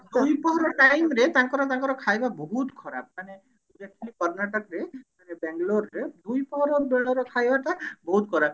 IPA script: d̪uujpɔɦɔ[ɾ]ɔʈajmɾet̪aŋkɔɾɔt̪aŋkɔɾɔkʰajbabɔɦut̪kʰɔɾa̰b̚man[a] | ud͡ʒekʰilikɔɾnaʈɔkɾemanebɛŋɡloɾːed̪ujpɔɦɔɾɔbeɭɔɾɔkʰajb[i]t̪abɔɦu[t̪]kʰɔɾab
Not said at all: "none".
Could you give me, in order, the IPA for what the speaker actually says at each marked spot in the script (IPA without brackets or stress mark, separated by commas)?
ɾ, e, a, t̪